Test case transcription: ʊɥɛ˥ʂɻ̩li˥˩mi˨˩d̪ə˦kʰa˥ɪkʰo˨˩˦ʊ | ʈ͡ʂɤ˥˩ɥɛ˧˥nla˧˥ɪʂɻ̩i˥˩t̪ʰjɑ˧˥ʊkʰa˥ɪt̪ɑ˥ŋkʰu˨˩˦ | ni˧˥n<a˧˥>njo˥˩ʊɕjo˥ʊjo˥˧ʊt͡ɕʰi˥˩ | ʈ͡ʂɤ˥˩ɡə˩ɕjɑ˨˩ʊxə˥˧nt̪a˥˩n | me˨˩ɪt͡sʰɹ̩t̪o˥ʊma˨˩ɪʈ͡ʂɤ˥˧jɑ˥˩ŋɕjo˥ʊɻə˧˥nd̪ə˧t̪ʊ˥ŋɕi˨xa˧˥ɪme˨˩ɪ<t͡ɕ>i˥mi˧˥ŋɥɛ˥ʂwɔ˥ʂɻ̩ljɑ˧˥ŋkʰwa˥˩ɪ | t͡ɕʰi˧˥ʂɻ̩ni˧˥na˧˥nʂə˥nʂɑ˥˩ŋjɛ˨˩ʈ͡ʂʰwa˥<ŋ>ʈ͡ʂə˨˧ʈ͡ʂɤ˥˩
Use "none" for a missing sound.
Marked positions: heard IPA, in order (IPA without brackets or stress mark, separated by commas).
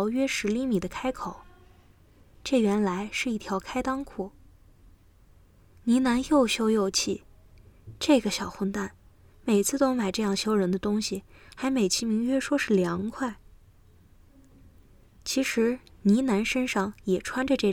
a˧˥, t͡ɕʰ, n